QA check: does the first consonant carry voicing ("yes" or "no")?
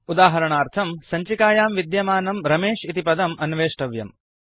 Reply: yes